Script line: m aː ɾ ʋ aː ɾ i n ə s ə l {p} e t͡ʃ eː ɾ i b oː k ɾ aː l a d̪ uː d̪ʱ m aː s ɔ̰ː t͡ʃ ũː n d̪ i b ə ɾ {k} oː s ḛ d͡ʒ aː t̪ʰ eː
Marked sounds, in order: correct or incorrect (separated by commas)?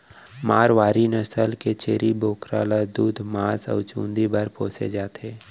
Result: incorrect, incorrect